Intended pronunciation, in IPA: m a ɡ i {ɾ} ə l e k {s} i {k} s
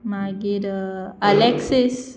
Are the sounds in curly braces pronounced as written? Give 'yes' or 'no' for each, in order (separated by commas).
yes, yes, no